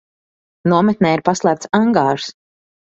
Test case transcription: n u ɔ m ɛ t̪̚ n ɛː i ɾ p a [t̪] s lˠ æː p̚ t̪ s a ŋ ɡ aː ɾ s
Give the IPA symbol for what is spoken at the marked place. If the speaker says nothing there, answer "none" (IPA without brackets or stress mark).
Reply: none